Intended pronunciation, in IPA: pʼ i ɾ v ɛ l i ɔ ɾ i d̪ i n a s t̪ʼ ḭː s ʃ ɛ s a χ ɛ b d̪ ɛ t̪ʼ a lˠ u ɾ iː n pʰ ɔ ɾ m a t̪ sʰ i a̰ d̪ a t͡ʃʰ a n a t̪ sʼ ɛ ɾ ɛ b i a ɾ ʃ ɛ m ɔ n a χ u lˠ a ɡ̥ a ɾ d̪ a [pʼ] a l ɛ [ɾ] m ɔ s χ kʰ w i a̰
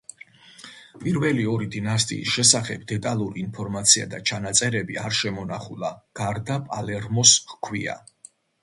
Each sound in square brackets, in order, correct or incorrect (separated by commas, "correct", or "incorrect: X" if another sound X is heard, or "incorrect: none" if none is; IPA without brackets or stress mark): correct, correct